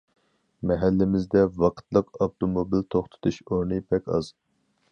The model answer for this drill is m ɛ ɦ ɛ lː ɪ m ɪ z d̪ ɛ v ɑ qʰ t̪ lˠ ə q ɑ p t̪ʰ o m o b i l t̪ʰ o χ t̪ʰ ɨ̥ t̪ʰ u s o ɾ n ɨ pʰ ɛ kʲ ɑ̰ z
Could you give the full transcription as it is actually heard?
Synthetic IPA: m ɛ ɦ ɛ lː ɪ m ɪ z d̪ ɛ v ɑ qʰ t̪ lˠ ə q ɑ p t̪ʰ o m o b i l t̪ʰ o χ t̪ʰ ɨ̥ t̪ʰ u ʃ o ɾ n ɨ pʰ ɛ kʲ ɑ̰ z